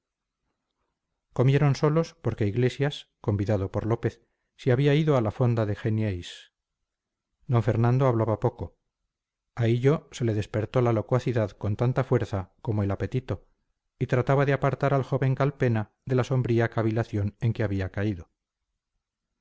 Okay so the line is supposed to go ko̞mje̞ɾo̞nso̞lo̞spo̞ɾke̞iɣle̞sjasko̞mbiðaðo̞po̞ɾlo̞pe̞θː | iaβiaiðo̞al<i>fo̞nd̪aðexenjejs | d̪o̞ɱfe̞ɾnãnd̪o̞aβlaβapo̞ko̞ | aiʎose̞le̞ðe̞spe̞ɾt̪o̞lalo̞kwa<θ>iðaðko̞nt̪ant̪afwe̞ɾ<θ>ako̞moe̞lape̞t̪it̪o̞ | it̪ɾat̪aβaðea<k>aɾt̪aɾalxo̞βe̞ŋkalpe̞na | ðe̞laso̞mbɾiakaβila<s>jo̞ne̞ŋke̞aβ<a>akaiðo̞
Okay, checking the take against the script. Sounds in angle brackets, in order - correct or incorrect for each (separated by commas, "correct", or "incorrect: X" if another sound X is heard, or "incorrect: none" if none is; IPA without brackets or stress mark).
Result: incorrect: a, correct, correct, incorrect: p, incorrect: θ, incorrect: i